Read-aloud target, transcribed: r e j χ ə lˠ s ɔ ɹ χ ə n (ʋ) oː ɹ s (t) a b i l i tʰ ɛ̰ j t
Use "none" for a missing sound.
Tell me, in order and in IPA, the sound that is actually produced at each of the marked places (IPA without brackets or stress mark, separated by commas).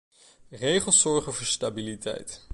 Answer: v, t